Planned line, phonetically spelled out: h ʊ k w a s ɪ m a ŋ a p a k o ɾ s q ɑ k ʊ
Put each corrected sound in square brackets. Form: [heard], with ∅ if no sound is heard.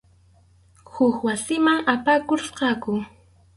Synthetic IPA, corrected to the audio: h ʊ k w a s ɪ m a ŋ a p a k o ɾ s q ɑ k ʊ